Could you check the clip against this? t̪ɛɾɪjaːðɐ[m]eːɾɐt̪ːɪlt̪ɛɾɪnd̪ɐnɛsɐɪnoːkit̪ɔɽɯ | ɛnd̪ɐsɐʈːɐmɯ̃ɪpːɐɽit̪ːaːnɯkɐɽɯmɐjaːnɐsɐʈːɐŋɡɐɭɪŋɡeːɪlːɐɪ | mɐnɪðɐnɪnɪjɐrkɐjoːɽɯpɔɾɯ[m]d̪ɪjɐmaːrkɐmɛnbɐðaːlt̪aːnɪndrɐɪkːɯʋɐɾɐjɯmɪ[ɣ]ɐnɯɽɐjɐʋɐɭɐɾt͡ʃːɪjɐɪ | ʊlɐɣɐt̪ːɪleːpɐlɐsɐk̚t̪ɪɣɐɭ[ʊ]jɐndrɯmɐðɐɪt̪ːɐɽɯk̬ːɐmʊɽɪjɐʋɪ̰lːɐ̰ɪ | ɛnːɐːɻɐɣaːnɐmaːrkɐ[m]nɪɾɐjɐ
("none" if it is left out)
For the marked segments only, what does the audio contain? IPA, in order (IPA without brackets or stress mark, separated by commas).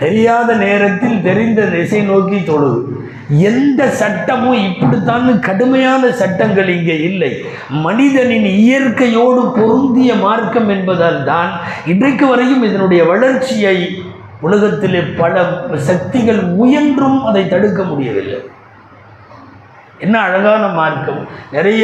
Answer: n, n, ð, ʊ, m